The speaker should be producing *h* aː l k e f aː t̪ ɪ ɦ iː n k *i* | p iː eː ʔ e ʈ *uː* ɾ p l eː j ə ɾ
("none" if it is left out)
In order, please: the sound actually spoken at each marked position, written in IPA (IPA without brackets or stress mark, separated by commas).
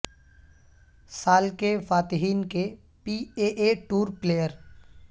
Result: s, e, uː